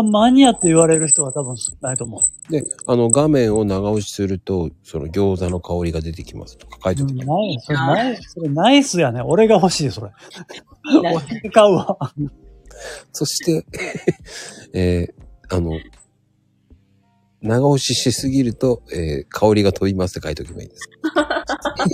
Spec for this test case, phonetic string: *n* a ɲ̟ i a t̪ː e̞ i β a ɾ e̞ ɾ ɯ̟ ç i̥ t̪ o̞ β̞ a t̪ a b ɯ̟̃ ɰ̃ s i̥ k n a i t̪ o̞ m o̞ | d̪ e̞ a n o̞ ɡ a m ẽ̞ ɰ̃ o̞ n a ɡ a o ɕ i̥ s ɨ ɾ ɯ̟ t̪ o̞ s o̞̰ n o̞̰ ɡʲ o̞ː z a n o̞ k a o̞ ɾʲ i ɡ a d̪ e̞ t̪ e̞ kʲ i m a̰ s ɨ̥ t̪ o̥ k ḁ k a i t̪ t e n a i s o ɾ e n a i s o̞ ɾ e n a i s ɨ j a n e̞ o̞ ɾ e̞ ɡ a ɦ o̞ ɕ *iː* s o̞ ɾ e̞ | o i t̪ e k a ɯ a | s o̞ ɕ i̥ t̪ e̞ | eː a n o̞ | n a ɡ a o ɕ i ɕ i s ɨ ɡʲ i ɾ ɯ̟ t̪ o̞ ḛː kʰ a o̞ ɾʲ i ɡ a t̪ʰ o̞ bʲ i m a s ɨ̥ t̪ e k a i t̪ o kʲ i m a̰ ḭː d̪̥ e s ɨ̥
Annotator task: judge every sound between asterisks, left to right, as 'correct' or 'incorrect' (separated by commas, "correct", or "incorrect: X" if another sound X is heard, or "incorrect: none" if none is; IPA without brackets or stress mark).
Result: incorrect: m, correct